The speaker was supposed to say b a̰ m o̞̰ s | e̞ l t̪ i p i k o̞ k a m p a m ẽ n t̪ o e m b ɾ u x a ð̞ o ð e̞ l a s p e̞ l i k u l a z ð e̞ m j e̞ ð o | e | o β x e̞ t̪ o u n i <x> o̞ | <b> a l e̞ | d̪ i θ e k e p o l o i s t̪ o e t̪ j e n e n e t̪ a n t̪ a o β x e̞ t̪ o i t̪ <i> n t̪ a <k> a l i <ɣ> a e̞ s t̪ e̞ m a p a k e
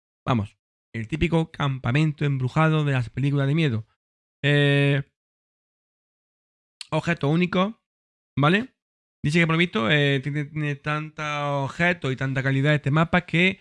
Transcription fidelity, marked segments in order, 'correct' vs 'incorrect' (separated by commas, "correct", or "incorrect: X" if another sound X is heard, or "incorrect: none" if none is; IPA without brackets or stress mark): incorrect: k, correct, incorrect: a, correct, incorrect: ð